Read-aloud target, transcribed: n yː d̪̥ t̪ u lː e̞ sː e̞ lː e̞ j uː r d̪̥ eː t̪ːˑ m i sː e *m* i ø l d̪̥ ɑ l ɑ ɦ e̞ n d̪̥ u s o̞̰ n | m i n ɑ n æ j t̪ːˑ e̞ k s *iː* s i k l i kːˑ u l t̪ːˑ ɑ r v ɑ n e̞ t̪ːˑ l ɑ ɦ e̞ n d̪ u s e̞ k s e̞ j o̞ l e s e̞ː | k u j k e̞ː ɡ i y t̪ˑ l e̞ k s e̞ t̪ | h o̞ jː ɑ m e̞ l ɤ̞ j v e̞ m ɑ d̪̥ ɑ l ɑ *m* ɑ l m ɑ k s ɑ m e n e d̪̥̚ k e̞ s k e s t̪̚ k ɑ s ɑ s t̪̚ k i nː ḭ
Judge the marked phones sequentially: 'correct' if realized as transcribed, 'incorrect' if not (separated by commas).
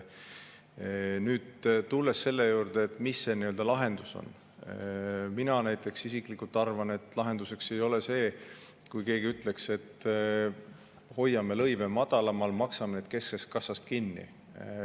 incorrect, incorrect, correct